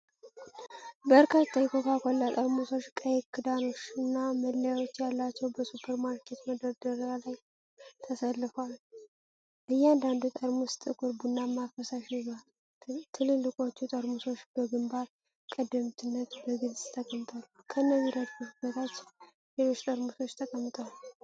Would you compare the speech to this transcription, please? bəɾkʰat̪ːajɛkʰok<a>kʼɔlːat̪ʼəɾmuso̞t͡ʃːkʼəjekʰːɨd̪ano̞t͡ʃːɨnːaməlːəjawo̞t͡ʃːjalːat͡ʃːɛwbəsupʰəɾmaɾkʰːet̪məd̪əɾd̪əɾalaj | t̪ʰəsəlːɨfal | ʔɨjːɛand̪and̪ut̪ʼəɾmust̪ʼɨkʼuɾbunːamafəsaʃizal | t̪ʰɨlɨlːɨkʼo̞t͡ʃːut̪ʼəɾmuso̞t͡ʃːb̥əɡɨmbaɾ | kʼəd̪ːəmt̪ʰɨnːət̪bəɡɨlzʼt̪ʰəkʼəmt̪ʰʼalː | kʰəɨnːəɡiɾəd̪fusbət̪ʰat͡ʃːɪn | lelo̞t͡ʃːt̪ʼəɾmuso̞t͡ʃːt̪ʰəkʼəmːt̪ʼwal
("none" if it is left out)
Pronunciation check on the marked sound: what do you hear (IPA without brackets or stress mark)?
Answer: a